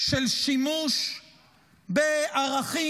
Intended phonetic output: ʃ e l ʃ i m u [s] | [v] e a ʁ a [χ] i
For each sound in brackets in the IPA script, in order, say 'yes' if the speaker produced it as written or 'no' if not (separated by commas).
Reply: no, no, yes